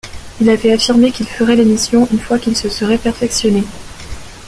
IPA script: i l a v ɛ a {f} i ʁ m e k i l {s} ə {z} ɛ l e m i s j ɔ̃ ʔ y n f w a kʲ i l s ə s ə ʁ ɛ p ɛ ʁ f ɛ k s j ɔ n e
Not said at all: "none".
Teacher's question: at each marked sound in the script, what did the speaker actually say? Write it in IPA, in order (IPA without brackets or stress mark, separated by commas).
f, f, ʁ